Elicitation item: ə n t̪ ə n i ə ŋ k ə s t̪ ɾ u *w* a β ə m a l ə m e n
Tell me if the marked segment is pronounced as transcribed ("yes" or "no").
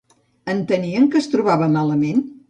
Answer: no